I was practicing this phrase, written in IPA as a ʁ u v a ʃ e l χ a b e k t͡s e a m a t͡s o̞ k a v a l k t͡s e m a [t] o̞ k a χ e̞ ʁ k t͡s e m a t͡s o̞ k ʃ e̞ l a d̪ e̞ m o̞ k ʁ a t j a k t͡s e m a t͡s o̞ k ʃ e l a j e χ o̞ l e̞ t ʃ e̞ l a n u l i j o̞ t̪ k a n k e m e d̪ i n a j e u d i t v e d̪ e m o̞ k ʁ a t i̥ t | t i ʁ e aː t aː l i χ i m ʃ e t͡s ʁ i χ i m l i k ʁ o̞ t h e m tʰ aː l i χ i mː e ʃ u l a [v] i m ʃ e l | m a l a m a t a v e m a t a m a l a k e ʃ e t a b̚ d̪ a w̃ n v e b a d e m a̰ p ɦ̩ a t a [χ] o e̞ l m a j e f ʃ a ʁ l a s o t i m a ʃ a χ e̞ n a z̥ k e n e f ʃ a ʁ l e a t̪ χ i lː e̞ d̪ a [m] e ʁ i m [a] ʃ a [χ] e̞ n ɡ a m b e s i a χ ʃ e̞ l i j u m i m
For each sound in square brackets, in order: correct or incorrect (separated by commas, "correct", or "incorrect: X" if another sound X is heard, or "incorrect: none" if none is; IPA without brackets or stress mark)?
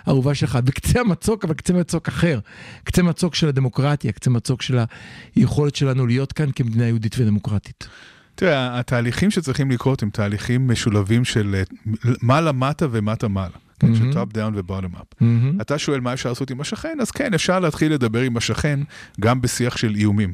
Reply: incorrect: t͡s, correct, incorrect: ʃ, incorrect: b, correct, correct